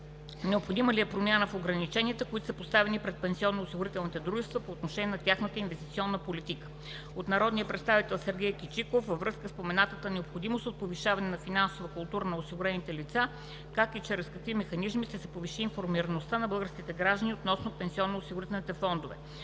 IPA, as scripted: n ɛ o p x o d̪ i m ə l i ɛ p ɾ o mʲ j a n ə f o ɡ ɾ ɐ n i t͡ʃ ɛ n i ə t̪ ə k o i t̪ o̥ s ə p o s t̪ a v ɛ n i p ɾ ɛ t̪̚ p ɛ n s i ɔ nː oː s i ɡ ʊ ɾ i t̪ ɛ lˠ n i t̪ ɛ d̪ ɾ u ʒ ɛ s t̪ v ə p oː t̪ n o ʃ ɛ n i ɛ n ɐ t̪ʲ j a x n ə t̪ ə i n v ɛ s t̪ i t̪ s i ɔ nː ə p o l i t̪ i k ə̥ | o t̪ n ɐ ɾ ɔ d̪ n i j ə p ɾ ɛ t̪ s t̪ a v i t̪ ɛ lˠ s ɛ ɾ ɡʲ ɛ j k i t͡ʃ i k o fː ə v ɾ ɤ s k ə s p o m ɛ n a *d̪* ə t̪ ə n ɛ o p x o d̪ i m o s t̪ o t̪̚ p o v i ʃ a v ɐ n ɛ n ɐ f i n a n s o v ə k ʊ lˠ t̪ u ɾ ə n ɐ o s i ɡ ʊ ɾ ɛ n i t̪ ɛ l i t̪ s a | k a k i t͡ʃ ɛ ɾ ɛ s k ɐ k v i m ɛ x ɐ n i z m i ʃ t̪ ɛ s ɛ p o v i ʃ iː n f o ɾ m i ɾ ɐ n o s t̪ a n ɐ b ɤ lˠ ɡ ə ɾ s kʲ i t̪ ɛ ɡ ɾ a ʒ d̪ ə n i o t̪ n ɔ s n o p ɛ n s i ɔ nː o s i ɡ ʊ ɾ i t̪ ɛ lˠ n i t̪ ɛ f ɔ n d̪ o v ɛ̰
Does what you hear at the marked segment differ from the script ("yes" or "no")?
yes